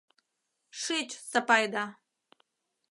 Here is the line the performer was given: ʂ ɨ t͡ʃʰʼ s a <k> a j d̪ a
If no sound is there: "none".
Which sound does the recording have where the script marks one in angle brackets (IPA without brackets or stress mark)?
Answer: p